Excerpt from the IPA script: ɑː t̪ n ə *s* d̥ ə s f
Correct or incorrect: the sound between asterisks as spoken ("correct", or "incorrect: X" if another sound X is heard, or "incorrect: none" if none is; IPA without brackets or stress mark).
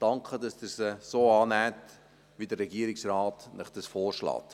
incorrect: χ